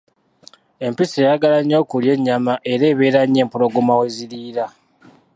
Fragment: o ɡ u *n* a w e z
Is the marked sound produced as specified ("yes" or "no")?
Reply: no